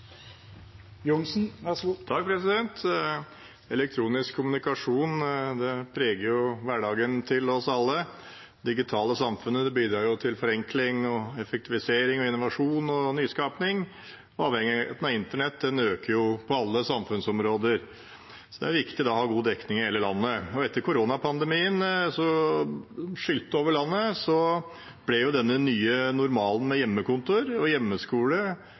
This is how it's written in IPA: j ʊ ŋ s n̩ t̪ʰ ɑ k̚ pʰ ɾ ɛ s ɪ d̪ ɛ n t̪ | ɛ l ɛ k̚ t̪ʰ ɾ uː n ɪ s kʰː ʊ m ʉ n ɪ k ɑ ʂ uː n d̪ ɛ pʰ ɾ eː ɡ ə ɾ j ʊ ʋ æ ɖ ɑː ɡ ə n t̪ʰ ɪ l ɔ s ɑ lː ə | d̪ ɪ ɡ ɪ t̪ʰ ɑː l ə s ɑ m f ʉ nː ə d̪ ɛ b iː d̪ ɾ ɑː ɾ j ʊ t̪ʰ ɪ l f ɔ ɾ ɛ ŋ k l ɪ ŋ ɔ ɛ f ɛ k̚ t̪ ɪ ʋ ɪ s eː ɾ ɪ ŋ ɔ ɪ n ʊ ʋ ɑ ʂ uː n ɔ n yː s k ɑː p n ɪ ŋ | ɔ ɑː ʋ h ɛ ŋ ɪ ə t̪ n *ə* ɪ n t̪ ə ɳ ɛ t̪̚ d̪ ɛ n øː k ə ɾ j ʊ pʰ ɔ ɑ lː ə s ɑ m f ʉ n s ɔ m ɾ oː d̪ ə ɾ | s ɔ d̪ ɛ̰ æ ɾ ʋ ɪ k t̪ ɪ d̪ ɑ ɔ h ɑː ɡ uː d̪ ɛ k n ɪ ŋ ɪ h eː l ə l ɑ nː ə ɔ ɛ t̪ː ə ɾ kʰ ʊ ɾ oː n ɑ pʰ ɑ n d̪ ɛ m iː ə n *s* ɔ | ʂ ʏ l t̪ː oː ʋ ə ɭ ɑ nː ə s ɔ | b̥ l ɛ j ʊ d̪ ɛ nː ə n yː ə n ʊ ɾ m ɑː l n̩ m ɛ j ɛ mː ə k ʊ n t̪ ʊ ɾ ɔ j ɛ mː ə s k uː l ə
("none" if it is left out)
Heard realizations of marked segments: ɑ, s

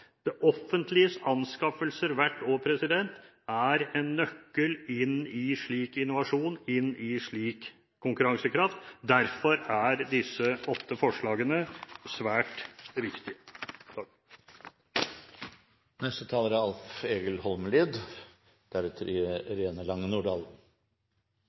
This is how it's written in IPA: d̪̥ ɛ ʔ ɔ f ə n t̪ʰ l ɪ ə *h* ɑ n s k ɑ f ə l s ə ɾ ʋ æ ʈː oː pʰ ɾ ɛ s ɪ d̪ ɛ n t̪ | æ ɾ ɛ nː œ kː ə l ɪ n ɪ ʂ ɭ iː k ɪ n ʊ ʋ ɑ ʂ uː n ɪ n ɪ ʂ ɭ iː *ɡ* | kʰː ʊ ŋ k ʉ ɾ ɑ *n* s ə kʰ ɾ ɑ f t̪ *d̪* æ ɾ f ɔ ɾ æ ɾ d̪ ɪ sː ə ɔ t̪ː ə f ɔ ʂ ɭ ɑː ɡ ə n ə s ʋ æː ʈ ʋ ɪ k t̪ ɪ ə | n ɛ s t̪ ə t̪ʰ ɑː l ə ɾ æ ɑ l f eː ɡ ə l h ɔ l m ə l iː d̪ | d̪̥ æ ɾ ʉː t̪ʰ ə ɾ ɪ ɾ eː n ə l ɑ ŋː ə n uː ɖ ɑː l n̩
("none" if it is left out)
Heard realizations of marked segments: s, k, ŋ, d̪

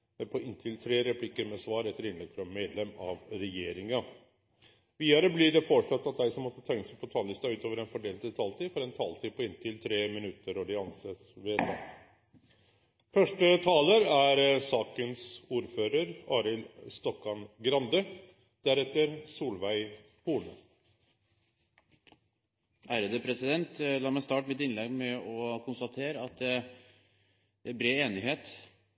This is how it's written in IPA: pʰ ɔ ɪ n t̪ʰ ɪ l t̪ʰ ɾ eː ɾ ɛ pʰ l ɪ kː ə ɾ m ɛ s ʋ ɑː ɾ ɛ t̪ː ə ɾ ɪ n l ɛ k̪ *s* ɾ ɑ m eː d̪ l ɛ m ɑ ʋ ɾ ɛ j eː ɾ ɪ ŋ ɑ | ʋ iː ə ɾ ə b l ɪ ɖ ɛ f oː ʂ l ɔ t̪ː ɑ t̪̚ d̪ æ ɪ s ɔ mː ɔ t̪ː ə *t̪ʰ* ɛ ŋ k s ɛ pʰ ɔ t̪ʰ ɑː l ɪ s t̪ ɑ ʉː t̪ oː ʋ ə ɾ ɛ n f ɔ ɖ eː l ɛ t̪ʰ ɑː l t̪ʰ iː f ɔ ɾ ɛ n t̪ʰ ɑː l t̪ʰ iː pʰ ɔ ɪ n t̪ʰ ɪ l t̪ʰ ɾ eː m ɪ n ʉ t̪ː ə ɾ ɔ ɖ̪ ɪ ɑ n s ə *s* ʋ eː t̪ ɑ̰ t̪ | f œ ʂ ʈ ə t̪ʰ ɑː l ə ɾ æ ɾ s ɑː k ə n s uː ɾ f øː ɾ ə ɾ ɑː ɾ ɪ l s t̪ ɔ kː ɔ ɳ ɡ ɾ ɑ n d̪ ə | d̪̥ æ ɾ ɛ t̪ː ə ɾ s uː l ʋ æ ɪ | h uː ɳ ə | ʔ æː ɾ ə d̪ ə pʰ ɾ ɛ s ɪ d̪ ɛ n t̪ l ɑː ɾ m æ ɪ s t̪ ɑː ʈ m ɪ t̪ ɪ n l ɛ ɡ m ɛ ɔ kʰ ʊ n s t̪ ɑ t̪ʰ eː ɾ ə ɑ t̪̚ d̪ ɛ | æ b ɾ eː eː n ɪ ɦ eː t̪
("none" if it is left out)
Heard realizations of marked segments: f, t̪ʰ, s

